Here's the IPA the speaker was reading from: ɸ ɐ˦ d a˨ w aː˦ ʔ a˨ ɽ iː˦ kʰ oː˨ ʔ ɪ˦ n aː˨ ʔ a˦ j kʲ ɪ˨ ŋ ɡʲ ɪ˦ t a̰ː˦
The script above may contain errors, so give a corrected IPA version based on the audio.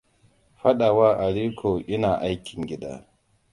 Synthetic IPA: ɸ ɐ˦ ɗ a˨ w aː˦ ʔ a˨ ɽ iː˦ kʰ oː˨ ʔ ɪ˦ n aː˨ ʔ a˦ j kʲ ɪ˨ ŋ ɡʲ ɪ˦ d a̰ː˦